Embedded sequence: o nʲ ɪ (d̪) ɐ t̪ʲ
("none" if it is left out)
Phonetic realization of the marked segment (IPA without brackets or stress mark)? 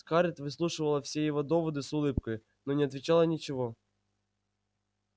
none